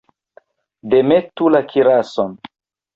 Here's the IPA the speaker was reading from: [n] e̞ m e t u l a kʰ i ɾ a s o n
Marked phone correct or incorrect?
incorrect